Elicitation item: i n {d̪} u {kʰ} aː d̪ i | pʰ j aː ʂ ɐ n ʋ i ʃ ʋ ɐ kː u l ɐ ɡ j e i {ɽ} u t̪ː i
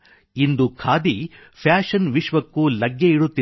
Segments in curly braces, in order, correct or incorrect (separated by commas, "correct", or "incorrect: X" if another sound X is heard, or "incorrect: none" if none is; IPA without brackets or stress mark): correct, correct, correct